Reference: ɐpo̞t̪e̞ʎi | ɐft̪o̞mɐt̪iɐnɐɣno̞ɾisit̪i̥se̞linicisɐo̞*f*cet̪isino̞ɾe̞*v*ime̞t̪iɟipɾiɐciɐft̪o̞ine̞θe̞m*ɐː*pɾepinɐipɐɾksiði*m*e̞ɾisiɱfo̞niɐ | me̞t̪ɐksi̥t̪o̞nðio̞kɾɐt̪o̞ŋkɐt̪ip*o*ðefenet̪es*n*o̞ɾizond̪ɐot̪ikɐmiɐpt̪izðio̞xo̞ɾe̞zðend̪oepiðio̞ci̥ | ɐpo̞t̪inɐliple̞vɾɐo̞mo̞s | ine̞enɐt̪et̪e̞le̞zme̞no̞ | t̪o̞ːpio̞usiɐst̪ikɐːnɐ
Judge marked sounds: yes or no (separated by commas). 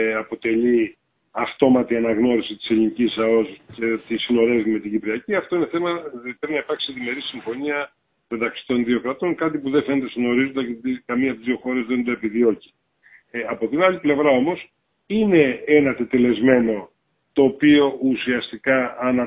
no, yes, no, yes, no, yes